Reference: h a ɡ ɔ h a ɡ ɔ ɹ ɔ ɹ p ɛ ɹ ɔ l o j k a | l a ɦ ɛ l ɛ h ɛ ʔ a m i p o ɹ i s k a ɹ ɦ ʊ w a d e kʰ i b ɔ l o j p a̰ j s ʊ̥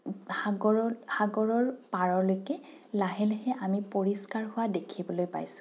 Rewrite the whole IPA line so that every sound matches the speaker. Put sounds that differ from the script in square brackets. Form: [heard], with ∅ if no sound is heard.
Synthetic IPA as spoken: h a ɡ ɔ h a ɡ ɔ ɹ ɔ ɹ p [a] ɹ ɔ l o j k [ɛ] | l a ɦ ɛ l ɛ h ɛ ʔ a m i p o ɹ i s k a ɹ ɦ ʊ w a d e kʰ i b ɔ l o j p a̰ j s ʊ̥

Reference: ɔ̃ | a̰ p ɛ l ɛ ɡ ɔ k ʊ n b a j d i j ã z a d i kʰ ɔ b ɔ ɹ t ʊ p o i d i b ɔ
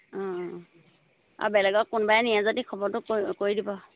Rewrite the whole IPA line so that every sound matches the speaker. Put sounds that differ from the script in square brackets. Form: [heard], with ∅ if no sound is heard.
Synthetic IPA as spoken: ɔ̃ | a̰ [b] ɛ l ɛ ɡ ɔ k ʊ n b a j [n] i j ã z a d i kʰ ɔ b ɔ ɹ t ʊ [k] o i d i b ɔ

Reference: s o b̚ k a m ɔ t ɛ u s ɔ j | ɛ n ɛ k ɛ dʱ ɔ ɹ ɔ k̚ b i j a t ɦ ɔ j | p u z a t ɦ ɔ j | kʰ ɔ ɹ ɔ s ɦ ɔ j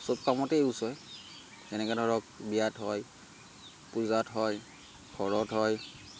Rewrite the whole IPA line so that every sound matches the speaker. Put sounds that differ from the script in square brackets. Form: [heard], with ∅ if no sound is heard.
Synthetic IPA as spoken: s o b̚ k a m ɔ t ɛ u s ɔ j | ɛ n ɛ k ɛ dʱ ɔ ɹ ɔ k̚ b i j a t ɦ ɔ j | p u z a t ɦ ɔ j | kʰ ɔ ɹ ɔ [t] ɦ ɔ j

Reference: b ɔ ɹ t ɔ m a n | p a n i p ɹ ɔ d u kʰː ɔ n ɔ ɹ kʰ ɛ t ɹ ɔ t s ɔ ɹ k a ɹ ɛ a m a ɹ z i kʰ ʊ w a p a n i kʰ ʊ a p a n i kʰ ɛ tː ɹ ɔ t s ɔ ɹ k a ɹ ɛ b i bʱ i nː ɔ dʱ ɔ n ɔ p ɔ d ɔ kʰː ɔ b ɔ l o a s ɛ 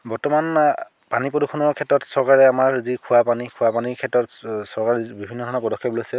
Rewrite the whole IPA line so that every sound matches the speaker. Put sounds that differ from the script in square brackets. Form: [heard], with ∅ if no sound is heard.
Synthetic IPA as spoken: b ɔ ɹ t ɔ m a n | p a n i p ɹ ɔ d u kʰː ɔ n ɔ ɹ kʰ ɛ t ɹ ɔ t s ɔ ɹ k a ɹ ɛ a m a ɹ z i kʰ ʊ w a p a n i kʰ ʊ a p a n i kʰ ɛ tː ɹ ɔ t s ɔ ɹ k a ɹ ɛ b i bʱ i nː ɔ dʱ ɔ n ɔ p ɔ d ɔ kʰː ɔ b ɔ l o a s ɛ

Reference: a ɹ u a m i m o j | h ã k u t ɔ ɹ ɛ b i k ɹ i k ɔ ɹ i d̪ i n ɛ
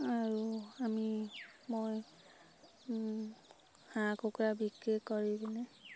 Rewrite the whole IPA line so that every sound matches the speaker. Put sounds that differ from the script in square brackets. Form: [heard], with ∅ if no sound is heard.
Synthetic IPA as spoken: a ɹ u a m i m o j | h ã k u [k] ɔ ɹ [a] b i k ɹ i k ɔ ɹ i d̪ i n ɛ

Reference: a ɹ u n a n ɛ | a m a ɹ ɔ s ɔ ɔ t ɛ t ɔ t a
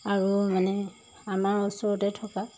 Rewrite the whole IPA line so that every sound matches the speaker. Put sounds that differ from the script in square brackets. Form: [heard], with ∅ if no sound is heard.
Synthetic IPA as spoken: a ɹ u [m] a n ɛ | a m a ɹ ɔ s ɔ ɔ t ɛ [tʰ] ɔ [k] a

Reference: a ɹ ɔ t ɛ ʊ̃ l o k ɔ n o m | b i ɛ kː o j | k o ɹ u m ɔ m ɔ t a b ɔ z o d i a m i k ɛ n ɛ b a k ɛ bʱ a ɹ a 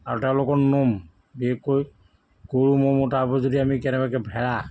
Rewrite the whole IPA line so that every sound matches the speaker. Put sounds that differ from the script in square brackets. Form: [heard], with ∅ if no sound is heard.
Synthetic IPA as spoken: a ɹ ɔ t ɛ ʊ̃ l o k ɔ n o m | b i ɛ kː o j | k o ɹ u m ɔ m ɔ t a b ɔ z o d i a m i k ɛ n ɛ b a k ɛ bʱ [ɛ] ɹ a

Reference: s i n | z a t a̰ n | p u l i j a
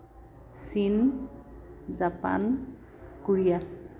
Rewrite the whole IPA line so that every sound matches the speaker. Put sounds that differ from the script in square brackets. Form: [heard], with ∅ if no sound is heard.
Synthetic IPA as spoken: s i n | z a [p] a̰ n | [k] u [ɹ] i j a

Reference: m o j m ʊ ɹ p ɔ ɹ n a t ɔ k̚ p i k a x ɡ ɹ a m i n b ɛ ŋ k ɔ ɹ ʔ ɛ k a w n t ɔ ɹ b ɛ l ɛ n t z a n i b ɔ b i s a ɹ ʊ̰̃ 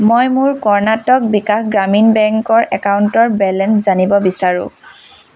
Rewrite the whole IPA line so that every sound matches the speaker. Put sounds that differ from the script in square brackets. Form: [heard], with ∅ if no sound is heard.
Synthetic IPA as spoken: m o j m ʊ ɹ [k] ɔ ɹ n a t ɔ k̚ [b] i k a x ɡ ɹ a m i n b ɛ ŋ k ɔ ɹ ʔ ɛ k a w n t ɔ ɹ b ɛ l ɛ n [s] z a n i b ɔ b i s a ɹ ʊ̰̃

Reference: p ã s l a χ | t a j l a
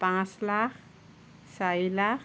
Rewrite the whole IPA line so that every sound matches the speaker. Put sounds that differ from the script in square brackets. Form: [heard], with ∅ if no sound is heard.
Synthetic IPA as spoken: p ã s l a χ | [s] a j l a

